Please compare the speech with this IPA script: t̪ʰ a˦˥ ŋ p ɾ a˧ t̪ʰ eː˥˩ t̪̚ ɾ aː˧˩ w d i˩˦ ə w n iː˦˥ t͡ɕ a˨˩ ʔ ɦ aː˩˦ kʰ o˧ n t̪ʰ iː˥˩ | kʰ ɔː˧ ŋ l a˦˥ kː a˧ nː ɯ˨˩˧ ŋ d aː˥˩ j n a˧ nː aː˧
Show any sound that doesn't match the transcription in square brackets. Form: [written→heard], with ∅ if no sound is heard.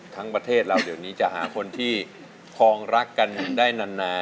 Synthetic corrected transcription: t̪ʰ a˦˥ ŋ p ɾ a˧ t̪ʰ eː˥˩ t̪̚ ɾ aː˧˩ w d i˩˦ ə w n iː˦˥ t͡ɕ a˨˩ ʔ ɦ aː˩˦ kʰ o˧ n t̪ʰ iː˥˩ | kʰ ɔː˧ ŋ [l→ɾ] a˦˥ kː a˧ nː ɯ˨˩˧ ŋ d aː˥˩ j n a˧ nː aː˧